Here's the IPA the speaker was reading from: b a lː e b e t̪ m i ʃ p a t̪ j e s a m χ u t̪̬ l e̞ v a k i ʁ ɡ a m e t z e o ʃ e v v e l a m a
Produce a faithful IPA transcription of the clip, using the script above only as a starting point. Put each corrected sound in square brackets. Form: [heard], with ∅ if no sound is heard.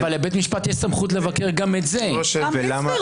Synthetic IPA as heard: [v] a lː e b e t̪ m i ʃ p a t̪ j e s a m χ u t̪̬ l e̞ v a k [e] ʁ ɡ a m e t z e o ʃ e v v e l a m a